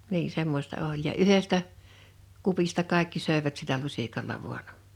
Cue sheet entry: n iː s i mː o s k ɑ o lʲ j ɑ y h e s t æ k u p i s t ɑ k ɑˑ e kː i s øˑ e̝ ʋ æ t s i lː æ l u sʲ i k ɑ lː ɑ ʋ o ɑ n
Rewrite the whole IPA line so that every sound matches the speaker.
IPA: n iː s e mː o s t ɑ o lʲ j ɑ y h e s t æ k u p i s t ɑ k ɑˑ e kː i s øˑ e̝ ʋ æ t s i lː æ l u sʲ i k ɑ lː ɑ ʋ u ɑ n